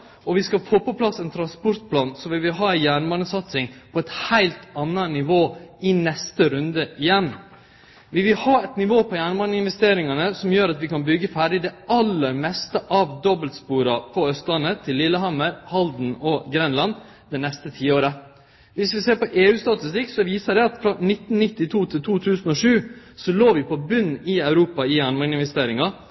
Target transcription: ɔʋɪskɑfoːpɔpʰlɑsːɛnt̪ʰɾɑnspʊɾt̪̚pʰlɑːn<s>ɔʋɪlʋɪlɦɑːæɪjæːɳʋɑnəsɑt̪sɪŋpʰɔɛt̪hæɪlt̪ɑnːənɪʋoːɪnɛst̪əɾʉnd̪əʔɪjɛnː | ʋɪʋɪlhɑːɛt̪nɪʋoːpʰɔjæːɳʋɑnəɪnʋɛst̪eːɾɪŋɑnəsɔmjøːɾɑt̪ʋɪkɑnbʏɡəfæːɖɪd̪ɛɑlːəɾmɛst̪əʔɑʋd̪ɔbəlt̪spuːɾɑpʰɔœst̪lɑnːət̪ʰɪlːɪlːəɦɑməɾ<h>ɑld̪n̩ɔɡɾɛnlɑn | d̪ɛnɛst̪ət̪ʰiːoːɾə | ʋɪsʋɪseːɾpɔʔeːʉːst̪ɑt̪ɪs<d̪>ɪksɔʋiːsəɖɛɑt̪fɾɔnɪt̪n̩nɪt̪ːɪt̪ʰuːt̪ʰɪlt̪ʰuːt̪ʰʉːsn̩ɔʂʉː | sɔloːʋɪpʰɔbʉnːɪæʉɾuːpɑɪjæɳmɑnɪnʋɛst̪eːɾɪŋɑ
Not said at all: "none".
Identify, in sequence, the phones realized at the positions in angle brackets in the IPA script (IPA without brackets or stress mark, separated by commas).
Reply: s, h, t̪